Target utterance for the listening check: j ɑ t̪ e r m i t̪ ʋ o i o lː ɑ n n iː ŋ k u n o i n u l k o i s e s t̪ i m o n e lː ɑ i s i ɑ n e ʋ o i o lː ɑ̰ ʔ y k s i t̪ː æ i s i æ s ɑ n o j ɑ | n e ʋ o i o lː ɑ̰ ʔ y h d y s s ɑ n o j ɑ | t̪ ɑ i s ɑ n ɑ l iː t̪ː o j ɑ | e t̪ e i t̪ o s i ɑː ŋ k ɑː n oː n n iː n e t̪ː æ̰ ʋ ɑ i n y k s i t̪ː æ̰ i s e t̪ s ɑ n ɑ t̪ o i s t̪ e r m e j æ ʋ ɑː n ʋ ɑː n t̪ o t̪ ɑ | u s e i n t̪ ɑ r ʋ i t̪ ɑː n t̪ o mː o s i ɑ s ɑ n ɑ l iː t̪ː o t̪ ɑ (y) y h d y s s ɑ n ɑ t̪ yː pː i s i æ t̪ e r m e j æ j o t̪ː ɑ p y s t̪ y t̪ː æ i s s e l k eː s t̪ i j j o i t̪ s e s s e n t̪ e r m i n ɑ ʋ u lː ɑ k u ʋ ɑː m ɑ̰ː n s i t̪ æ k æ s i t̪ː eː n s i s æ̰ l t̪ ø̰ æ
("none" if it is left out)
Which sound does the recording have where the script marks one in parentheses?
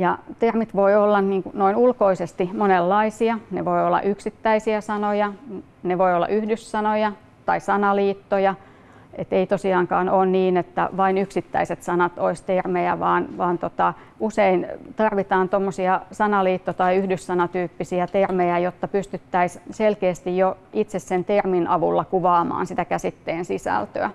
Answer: i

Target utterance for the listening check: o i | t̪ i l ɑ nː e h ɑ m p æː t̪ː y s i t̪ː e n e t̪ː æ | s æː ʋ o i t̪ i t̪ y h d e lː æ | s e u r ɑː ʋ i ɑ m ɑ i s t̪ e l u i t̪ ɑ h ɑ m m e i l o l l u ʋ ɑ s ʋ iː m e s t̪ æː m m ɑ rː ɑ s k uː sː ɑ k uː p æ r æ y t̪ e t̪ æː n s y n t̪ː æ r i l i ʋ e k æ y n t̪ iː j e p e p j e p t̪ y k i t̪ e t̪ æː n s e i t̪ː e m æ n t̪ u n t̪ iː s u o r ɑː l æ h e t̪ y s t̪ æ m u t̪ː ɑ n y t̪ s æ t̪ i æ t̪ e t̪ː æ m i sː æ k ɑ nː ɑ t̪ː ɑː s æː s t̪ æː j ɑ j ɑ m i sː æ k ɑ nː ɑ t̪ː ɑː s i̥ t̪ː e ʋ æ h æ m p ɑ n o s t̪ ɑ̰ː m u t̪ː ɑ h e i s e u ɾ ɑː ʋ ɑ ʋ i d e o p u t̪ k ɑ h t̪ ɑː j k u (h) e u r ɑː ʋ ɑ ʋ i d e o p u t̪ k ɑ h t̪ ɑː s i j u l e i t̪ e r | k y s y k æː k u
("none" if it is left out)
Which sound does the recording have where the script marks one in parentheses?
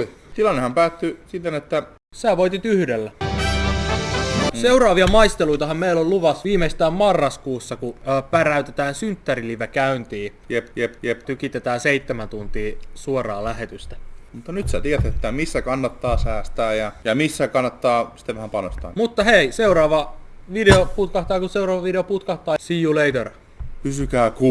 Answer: s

